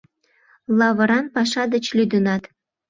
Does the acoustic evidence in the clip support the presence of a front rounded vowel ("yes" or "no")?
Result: yes